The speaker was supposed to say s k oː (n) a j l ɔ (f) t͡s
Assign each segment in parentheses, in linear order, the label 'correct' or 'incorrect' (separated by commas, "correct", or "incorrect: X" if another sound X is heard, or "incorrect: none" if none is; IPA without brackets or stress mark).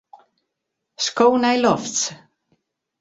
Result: correct, correct